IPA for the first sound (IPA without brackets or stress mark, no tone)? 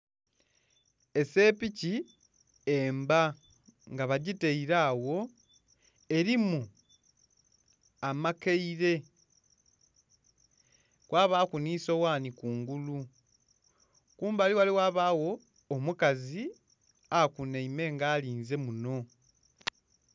e̞